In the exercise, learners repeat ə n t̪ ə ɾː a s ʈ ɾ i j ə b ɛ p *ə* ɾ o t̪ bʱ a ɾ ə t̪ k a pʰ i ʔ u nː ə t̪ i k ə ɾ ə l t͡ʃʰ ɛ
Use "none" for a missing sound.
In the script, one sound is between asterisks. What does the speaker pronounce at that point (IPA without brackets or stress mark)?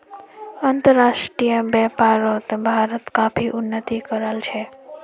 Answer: a